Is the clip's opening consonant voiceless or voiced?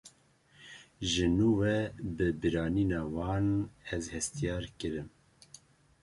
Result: voiced